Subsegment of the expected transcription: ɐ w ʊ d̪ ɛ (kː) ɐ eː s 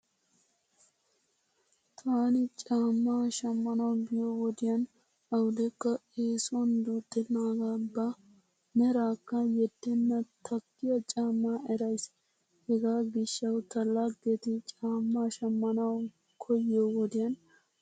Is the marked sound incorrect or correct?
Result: correct